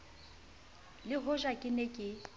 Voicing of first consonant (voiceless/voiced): voiced